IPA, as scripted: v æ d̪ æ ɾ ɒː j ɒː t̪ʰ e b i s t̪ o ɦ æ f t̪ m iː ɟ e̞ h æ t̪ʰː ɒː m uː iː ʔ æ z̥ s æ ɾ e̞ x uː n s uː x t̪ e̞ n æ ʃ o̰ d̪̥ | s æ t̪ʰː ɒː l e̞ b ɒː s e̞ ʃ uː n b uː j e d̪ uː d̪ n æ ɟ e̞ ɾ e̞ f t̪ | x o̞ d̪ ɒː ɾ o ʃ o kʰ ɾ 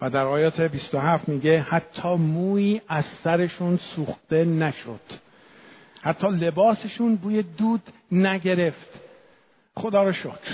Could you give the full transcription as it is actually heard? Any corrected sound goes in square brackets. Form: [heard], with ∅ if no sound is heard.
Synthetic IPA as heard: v æ d̪ æ ɾ ɒː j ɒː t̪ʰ e b i s t̪ o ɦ æ f t̪ m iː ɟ e̞ h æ t̪ʰː ɒː m uː iː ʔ æ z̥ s æ ɾ e̞ [ʃ] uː n s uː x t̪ e̞ n æ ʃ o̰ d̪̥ | [h] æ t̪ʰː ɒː l e̞ b ɒː s e̞ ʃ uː n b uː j e d̪ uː d̪ n æ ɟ e̞ ɾ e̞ f t̪ | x o̞ d̪ ɒː ɾ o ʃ o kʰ ɾ